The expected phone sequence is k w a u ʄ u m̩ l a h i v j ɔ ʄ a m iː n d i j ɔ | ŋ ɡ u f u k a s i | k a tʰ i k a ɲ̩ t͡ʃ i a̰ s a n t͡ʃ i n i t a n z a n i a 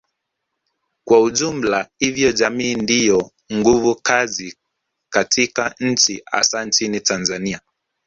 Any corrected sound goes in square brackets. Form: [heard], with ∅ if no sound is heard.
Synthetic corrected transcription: k w a u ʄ u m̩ l a h i v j ɔ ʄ a m iː n d i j ɔ | ŋ ɡ u [v] u k a [z] i | k a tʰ i k a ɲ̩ t͡ʃ i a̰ s a n t͡ʃ i n i t a n z a n i a